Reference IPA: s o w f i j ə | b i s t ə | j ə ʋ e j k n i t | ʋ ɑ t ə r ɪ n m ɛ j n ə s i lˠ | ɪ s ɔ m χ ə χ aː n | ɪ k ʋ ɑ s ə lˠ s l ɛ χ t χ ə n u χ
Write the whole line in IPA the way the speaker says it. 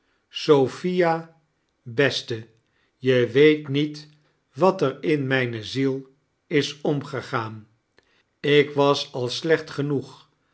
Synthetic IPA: s o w f i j a | b ɛ s t ə | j ə ʋ e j t n i t | ʋ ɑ t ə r ɪ n m ɛ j n ə z i lˠ | ɪ s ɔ m χ ə χ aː n | ɪ k ʋ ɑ s ɑ lˠ s l ɛ χ t χ ə n u χ